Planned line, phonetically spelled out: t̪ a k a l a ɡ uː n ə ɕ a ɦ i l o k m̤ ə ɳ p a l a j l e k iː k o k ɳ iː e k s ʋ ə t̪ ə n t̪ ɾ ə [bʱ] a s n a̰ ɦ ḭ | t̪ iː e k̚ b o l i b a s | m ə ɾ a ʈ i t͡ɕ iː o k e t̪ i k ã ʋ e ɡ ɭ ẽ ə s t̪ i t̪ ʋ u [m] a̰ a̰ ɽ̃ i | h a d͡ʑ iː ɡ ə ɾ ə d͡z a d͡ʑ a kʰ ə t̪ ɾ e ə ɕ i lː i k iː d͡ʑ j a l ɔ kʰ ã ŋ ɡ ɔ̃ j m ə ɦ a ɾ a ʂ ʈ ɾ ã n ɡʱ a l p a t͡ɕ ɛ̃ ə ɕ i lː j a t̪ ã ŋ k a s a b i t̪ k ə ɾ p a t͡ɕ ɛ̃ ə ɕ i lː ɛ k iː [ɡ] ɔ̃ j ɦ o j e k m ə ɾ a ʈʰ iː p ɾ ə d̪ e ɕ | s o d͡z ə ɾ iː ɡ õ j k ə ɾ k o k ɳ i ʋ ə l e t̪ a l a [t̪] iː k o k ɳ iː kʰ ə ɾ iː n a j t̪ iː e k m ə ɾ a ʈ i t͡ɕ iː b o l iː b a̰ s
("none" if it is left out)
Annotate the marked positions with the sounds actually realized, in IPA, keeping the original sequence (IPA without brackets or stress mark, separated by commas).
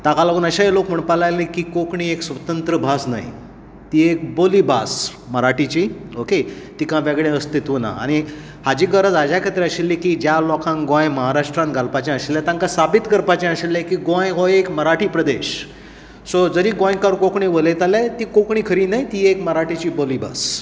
bʱ, n, ɡ, t̪